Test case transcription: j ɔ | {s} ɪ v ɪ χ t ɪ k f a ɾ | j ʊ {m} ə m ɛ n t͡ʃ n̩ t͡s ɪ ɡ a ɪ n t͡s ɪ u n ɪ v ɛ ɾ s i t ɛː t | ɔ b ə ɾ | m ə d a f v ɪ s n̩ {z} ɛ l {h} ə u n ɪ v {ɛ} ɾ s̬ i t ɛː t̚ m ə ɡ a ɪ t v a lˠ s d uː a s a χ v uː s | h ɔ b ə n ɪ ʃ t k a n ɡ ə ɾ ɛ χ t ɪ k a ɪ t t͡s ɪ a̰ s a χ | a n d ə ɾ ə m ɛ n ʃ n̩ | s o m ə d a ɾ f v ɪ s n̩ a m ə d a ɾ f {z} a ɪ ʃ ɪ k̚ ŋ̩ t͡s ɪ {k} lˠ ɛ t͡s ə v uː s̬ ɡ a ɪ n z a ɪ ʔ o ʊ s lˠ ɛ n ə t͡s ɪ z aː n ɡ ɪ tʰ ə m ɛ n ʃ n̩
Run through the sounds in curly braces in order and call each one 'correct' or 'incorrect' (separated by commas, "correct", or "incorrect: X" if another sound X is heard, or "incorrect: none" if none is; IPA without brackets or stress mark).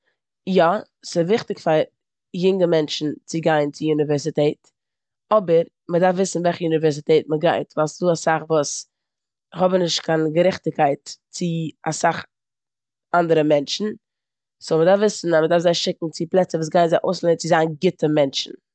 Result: correct, incorrect: ŋ, incorrect: v, incorrect: χ, correct, correct, incorrect: p